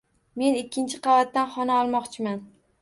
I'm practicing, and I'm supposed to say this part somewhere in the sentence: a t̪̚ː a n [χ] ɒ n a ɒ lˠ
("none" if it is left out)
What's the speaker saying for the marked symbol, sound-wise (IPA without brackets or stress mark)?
χ